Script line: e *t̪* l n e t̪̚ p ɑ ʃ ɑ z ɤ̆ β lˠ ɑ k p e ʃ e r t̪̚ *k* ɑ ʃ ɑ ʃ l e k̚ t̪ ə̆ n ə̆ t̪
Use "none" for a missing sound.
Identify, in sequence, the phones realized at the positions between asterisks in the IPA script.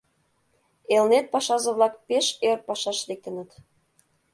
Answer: none, p

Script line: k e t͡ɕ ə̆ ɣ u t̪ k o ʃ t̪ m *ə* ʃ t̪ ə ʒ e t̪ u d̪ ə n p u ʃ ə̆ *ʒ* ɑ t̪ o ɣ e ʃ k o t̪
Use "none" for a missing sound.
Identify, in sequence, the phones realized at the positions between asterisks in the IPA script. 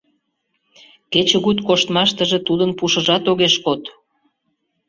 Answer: ɑ, ʒ

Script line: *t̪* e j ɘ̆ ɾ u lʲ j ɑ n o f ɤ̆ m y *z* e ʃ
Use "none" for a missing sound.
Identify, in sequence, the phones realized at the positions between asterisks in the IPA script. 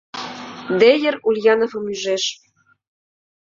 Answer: d̪, ʒ

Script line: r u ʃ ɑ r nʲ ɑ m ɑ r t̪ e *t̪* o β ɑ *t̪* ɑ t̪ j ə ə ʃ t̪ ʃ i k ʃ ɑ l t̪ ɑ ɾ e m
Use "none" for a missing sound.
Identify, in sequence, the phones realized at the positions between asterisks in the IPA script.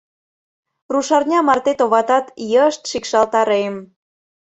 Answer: t̪, t̪

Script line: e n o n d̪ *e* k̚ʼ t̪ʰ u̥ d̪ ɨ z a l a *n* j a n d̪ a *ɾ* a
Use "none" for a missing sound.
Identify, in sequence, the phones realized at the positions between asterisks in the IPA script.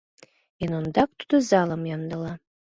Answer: a, m, l

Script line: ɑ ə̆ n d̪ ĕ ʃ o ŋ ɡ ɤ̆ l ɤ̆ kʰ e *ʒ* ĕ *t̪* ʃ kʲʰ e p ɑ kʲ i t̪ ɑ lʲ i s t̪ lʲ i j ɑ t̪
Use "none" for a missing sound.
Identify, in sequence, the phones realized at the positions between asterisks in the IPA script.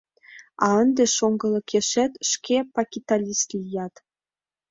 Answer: ʃ, t̪

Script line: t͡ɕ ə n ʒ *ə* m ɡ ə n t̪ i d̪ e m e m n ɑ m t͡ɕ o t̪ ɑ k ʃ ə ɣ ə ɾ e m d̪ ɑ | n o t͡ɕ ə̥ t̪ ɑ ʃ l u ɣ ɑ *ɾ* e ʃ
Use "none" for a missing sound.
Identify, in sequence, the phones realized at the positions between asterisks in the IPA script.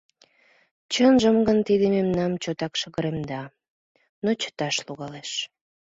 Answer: ə, l

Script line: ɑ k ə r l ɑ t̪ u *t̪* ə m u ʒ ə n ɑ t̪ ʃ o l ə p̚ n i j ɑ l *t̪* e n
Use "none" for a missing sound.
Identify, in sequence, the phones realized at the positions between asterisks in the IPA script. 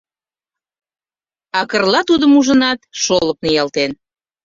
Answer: d̪, t̪

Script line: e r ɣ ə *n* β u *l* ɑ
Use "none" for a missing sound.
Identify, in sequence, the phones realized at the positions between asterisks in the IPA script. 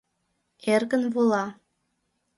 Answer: n, l

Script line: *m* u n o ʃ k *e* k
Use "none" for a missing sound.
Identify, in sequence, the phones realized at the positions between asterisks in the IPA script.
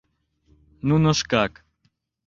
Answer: n, a

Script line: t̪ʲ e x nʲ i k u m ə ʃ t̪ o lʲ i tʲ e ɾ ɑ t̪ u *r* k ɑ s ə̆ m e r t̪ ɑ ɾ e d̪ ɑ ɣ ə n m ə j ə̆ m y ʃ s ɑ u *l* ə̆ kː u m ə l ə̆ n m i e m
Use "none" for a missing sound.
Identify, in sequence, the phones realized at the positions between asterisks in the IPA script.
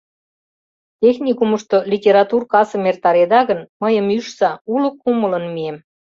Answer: r, l

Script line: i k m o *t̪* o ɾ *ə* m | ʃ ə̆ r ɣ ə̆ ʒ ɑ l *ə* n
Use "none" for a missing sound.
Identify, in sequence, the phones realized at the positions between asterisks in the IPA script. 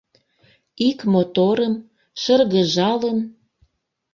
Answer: t̪, ə, ə

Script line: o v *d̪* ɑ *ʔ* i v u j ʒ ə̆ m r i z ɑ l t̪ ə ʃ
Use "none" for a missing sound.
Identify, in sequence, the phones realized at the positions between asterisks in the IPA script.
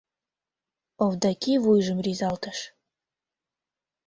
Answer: d̪, k

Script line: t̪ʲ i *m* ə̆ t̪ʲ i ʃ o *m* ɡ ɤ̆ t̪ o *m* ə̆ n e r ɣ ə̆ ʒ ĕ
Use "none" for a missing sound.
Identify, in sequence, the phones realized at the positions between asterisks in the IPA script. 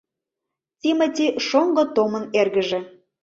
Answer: m, ŋ, m

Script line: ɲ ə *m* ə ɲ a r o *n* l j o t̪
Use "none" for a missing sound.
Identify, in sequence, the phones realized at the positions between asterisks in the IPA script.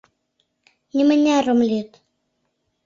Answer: m, m

